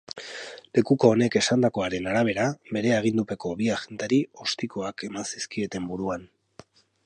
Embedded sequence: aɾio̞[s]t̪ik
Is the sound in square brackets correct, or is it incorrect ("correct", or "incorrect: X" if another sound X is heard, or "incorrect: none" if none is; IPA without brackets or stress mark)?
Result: correct